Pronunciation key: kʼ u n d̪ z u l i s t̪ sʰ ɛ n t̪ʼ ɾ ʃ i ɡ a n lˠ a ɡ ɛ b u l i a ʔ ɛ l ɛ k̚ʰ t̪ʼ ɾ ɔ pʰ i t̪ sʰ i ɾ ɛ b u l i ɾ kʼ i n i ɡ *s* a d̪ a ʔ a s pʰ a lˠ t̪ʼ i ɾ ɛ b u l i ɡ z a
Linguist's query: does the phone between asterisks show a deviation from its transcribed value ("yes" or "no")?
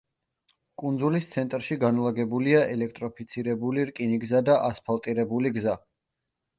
yes